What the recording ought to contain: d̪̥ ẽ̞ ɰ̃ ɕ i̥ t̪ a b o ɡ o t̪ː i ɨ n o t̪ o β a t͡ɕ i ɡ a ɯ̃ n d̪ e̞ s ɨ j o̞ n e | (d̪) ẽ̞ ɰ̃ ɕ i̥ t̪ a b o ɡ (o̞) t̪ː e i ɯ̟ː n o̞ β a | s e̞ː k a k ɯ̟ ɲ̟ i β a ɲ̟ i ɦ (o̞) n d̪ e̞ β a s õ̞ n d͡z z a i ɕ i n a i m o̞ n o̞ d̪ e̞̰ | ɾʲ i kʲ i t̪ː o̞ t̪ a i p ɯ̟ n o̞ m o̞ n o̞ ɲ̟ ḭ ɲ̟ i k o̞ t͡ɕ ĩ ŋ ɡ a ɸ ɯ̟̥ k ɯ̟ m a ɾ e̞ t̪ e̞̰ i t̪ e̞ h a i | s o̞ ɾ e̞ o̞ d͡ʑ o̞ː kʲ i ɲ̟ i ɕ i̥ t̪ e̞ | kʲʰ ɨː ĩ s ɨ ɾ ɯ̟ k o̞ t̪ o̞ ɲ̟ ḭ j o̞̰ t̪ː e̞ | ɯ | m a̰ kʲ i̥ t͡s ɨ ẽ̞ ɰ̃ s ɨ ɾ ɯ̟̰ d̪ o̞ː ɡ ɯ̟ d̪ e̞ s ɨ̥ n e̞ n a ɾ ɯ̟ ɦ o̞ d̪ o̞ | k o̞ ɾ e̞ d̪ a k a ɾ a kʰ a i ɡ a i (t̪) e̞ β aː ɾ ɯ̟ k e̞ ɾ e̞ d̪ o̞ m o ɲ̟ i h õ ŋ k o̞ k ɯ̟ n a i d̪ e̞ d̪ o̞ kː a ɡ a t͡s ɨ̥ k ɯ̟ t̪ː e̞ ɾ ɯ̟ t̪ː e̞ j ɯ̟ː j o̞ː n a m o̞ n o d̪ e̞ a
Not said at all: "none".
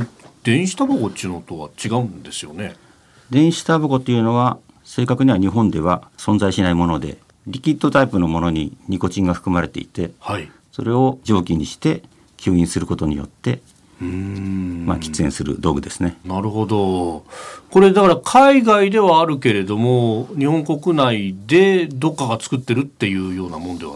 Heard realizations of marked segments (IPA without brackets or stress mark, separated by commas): d̪, o̞, õ̞, d̪